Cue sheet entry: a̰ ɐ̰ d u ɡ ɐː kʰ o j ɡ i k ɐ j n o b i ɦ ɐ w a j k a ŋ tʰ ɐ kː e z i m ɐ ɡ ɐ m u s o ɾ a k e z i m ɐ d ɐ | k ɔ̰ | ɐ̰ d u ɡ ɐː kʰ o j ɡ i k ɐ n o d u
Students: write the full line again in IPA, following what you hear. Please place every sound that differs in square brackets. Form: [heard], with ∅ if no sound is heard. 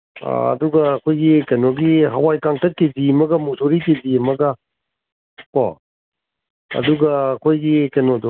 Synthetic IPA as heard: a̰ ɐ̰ d u ɡ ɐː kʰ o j ɡ i k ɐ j n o [ɡ] i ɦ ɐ w a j k a ŋ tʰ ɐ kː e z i m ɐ ɡ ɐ m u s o ɾ [i] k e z i m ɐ [ɡ] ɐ | k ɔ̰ | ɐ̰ d u ɡ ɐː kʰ o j ɡ i k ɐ n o d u